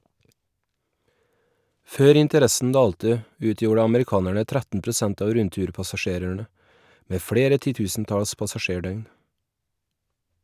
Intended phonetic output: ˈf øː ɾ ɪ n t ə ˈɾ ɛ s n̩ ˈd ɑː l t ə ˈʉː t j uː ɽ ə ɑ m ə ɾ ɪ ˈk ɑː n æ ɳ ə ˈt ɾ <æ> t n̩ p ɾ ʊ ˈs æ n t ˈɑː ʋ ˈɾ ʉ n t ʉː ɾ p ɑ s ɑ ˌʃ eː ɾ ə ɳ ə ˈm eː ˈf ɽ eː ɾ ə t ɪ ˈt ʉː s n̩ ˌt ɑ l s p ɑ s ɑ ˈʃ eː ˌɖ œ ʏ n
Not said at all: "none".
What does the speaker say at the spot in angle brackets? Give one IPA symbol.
æ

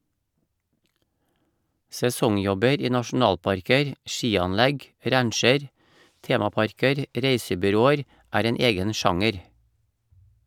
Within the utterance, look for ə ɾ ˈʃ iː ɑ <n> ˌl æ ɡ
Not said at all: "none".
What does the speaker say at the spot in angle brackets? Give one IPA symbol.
n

